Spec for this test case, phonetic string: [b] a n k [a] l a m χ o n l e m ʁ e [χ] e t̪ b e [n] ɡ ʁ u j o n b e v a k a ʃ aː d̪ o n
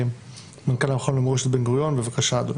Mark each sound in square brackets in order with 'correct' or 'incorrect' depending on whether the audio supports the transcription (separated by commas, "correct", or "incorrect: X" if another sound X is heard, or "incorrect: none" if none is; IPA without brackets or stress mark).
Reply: incorrect: m, correct, incorrect: ʃ, correct